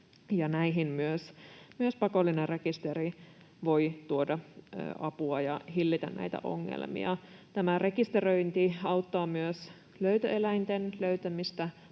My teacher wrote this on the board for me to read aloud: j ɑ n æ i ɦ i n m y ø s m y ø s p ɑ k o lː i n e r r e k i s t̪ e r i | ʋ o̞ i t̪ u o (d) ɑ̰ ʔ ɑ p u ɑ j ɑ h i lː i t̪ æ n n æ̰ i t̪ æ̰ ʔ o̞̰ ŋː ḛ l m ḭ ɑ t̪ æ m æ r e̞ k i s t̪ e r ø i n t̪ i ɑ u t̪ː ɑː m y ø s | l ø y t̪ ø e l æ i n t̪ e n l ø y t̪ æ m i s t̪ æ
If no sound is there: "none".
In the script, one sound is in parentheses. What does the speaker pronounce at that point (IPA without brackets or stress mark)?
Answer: d